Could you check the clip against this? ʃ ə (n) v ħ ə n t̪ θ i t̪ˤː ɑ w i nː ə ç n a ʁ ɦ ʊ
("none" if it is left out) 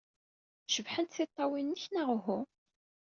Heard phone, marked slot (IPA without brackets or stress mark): none